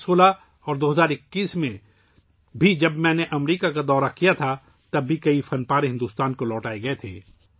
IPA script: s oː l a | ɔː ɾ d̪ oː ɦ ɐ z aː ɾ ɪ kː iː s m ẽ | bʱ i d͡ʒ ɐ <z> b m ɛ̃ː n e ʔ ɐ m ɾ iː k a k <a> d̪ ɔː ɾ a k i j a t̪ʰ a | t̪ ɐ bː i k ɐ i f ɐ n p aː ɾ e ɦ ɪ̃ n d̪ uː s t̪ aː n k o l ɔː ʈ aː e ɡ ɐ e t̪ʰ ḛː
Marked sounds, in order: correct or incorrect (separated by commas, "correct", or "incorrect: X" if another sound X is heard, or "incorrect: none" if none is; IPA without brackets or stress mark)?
incorrect: none, correct